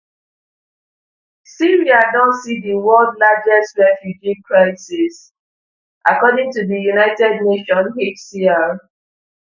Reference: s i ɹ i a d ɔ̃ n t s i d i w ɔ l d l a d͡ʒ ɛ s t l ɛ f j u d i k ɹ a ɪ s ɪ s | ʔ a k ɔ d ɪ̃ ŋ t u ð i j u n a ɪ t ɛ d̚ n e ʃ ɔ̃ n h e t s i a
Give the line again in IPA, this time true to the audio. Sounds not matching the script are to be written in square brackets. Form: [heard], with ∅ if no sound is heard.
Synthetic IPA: s i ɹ i a d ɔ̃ n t s i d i w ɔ l d l a d͡ʒ ɛ s t [ɹ] ɛ f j u [d͡ʒ] i k ɹ a ɪ s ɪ s | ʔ a k ɔ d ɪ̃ ŋ t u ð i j u n a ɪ t ɛ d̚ n e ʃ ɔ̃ n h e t s i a